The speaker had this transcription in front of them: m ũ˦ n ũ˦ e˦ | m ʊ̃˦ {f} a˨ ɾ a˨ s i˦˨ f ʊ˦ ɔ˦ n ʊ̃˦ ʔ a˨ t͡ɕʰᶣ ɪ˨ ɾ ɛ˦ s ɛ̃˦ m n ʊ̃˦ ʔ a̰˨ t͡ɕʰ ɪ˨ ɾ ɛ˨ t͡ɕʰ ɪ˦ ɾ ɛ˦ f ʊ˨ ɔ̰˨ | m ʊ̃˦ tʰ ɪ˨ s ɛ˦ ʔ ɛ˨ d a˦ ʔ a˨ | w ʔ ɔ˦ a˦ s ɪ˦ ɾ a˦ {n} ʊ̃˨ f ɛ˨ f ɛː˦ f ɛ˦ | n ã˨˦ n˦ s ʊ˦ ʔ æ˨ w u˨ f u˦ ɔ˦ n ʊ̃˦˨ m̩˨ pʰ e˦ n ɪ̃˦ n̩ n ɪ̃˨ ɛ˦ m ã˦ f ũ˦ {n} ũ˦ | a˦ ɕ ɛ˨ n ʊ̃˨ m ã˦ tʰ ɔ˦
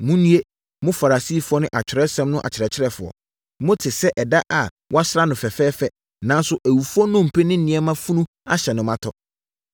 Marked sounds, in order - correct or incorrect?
correct, correct, correct

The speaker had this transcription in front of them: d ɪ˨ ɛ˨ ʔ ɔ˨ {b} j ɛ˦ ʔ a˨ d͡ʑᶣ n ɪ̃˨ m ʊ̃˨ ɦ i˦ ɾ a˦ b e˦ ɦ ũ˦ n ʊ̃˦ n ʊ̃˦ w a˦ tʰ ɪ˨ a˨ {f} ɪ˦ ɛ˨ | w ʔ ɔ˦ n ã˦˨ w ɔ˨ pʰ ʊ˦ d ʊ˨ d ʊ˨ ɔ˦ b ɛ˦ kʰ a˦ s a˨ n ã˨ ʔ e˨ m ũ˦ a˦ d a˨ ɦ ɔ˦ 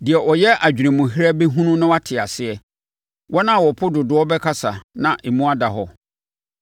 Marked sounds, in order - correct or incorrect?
incorrect, incorrect

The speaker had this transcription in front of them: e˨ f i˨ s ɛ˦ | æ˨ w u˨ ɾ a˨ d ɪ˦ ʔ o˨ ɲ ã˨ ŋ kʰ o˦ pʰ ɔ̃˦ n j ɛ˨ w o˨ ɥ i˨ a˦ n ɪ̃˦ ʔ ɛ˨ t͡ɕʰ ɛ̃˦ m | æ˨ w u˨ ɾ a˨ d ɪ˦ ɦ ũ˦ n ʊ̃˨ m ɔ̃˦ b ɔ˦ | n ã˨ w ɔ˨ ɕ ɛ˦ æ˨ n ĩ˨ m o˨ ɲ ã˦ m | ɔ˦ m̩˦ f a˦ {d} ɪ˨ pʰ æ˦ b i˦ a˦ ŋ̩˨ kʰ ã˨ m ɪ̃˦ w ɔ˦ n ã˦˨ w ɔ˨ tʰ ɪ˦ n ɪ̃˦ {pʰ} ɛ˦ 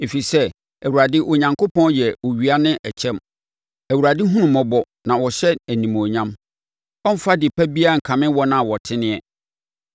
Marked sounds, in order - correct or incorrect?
correct, incorrect

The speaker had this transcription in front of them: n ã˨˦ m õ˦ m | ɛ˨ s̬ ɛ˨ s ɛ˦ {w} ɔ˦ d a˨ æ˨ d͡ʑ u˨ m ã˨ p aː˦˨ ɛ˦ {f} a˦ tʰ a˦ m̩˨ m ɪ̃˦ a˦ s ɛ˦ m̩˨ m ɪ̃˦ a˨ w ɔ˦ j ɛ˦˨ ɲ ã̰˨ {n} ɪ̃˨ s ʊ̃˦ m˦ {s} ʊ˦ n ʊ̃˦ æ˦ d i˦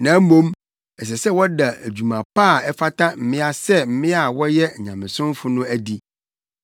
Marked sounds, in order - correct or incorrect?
correct, correct, incorrect, incorrect

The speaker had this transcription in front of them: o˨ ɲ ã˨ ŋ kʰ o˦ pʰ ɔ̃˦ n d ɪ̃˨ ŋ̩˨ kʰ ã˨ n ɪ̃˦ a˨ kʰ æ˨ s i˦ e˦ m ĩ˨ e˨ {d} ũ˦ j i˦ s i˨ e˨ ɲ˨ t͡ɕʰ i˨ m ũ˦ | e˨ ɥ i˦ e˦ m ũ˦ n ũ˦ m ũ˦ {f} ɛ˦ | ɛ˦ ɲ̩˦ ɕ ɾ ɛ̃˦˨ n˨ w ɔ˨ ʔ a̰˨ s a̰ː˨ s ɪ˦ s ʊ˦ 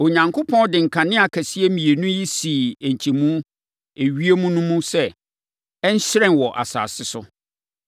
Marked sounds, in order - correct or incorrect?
incorrect, incorrect

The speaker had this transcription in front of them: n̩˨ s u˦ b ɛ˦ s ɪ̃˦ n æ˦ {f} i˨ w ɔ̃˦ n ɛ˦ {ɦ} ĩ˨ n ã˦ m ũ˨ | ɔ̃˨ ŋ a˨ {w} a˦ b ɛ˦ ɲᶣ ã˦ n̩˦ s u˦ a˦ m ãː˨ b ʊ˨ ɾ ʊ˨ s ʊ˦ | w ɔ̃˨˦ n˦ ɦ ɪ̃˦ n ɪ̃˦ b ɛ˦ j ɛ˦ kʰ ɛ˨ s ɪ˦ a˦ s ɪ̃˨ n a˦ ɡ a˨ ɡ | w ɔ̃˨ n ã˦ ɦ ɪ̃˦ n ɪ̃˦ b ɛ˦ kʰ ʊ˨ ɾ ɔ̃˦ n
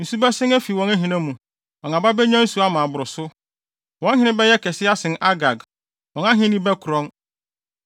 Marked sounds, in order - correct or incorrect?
correct, correct, incorrect

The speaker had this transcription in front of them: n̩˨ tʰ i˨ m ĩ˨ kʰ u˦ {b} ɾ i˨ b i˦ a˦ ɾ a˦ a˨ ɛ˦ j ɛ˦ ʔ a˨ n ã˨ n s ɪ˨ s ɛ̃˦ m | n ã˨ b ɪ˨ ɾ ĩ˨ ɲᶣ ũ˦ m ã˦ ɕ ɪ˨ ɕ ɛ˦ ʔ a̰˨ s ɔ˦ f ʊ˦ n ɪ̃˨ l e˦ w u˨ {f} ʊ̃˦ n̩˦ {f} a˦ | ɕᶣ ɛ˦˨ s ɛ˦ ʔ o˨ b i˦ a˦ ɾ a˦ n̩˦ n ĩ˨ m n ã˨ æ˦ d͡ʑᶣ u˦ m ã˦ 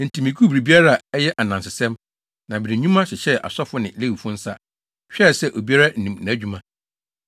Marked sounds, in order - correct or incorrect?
correct, correct, incorrect

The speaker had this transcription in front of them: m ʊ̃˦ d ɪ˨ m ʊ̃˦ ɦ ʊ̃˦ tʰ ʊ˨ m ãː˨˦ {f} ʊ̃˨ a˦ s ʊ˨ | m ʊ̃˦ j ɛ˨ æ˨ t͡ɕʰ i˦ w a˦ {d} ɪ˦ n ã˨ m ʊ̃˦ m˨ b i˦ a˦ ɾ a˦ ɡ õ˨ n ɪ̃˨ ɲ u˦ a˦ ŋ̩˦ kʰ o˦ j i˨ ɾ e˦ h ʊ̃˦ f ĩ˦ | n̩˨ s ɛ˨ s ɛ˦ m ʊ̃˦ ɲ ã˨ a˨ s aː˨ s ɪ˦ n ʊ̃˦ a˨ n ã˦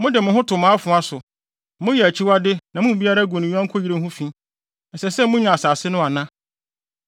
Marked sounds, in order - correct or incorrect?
correct, correct

